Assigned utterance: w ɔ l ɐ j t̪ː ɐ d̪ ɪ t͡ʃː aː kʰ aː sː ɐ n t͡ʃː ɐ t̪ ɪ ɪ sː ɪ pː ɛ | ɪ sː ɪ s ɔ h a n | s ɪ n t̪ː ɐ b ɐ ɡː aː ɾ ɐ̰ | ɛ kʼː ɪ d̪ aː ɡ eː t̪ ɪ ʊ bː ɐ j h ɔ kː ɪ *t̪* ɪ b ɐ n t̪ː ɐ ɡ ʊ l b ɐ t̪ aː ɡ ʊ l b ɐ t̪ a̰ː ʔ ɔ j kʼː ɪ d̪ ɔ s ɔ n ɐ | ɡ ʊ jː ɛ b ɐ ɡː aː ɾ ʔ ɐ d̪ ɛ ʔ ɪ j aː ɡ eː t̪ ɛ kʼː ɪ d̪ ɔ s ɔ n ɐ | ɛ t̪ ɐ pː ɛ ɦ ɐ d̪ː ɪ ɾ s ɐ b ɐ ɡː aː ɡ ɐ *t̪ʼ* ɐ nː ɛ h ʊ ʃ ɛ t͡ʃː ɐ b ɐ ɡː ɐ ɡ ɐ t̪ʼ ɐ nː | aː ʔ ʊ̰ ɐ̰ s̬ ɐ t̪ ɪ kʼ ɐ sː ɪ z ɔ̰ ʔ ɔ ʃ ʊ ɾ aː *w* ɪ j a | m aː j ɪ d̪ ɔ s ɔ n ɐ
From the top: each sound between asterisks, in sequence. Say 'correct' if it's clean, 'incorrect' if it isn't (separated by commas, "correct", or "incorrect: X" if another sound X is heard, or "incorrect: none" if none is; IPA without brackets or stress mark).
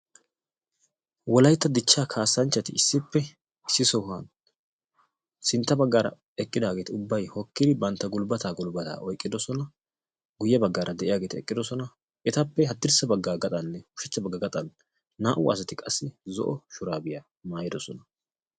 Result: incorrect: d̪, correct, incorrect: b